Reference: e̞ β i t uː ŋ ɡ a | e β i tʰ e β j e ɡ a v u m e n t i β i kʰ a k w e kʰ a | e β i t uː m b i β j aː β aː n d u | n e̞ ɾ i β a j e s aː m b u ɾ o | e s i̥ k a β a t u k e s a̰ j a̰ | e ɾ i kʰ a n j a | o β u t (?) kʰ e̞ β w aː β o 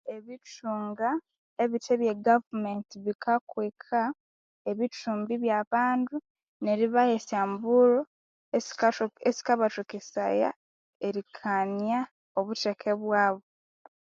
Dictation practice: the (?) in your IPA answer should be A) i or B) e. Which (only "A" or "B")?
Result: B